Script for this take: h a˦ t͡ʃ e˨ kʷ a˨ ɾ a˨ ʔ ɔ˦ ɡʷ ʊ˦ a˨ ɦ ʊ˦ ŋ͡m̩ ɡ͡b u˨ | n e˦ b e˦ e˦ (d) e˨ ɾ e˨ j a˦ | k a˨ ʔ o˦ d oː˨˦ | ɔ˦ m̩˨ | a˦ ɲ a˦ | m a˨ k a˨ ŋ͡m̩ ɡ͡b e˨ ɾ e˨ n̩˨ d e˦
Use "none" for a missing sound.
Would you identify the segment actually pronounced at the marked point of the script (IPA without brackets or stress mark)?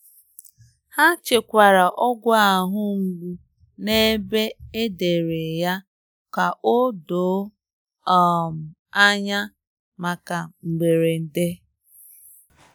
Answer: d